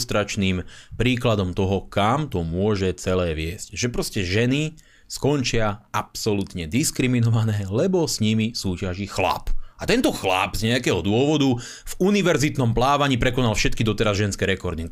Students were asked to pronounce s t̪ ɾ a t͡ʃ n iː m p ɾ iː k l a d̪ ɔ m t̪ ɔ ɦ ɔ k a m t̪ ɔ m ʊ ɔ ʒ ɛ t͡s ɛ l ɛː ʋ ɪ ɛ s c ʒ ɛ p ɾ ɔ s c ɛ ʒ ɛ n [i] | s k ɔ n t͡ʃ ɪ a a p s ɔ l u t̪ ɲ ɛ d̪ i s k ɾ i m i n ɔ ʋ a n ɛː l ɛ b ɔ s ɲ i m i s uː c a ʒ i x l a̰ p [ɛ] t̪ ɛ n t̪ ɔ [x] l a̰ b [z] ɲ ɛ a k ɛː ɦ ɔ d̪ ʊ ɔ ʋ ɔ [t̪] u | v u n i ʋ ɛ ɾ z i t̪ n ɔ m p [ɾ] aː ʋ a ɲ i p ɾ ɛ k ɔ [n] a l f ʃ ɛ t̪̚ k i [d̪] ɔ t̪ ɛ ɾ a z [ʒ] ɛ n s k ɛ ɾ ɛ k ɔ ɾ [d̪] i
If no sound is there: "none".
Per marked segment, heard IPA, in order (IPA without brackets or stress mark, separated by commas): i, a, x, z, d̪, l, n, d̪, ʒ, d̪